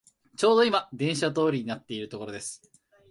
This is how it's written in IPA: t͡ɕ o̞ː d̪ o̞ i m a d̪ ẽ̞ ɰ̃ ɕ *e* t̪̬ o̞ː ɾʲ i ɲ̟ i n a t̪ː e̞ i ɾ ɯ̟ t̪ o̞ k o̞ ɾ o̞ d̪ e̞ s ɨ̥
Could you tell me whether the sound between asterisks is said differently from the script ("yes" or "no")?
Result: yes